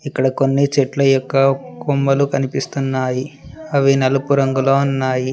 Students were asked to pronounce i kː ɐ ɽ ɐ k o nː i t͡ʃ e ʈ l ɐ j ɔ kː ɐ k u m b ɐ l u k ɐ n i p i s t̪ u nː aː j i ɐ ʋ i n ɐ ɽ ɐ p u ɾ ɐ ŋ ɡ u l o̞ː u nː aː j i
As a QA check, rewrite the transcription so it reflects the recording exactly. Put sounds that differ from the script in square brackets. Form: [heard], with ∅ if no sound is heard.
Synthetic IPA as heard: i kː ɐ ɽ ɐ k o nː i t͡ʃ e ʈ l ɐ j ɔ kː ɐ k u m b ɐ l u k ɐ n i p i s t̪ u nː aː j i ɐ ʋ i n ɐ [l] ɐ p u ɾ ɐ ŋ ɡ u l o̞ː u nː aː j i